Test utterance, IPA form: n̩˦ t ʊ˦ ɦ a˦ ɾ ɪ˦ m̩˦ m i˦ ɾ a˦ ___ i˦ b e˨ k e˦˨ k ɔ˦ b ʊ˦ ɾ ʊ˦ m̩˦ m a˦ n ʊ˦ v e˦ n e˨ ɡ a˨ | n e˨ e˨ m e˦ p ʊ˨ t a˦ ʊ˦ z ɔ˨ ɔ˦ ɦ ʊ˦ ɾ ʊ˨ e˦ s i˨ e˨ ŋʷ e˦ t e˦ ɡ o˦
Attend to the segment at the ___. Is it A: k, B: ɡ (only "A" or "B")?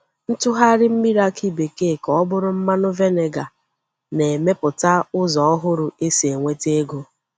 A